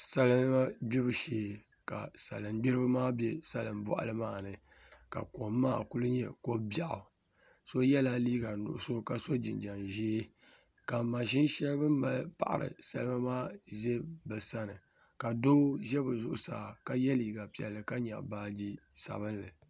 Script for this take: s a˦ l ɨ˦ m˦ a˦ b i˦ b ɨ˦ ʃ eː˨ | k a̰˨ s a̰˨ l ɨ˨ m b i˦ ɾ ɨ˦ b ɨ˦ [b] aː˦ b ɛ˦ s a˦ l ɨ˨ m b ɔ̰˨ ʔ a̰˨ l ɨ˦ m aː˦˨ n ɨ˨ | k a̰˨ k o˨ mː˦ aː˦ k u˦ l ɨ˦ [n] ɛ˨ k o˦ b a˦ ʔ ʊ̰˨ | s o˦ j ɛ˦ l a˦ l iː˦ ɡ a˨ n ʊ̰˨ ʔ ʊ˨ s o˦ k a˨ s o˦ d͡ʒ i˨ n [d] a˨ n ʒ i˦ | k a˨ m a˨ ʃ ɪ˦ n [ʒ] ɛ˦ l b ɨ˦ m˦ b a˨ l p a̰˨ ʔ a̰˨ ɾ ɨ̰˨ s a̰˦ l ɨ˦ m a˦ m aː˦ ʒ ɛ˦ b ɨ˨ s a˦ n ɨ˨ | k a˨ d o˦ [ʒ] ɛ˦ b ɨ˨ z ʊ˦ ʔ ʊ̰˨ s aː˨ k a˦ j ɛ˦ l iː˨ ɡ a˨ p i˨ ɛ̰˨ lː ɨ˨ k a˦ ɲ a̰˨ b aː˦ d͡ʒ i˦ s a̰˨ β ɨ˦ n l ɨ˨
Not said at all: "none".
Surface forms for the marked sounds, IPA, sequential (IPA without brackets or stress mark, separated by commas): m, ɲ, d͡ʒ, ʃ, ʒ